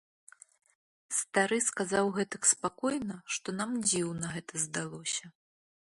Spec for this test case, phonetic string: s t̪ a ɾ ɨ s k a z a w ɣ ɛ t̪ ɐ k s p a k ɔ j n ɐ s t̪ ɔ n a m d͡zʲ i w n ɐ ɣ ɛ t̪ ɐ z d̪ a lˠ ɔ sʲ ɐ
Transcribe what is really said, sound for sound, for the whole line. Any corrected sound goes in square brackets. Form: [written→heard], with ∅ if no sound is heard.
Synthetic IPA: s t̪ a ɾ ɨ s k a z a w ɣ ɛ t̪ ɐ k s p a k ɔ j n ɐ [s→ʂ] t̪ ɔ n a m d͡zʲ i w n ɐ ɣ ɛ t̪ ɐ z d̪ a lˠ ɔ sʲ ɐ